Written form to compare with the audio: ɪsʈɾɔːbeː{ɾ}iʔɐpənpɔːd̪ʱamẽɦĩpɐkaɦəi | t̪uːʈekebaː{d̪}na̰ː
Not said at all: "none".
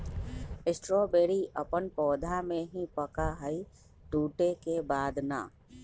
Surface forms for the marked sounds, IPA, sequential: ɾ, d̪

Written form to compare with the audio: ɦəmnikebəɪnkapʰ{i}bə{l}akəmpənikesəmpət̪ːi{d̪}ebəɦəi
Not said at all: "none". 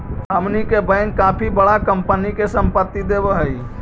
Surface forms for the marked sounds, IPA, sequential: i, ɽ, d̪

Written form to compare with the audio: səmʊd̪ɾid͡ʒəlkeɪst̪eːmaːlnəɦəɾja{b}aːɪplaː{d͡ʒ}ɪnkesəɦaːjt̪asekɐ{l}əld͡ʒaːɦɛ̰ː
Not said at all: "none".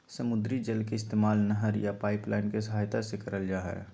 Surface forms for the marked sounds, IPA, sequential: p, none, ɾ

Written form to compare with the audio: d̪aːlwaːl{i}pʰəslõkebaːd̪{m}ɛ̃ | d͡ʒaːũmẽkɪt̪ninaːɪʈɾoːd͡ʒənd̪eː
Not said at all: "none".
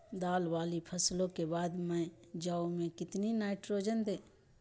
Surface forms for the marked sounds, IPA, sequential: i, m

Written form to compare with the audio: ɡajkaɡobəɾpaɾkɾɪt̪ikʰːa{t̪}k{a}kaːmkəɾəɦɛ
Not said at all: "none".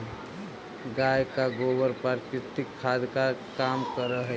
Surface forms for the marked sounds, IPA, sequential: d̪, a

